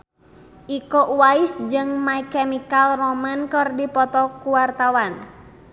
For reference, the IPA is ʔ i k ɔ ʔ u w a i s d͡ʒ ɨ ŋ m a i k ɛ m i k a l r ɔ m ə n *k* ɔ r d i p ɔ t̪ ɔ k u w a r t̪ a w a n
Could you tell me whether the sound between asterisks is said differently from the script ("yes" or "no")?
no